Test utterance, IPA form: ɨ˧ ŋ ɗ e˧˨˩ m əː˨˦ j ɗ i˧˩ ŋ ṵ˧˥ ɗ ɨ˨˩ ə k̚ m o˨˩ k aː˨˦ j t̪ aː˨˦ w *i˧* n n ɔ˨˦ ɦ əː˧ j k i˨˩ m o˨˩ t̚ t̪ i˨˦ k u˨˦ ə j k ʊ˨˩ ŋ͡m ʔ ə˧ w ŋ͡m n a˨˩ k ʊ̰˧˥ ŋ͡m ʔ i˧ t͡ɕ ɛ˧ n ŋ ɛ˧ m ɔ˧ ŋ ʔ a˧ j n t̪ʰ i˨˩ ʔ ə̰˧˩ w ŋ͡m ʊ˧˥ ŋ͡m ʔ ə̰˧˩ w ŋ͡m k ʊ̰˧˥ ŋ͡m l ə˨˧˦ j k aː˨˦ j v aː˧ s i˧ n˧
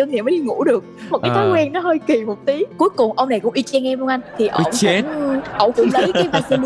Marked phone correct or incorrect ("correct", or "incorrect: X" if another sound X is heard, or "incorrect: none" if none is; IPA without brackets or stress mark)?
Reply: incorrect: ɛ˧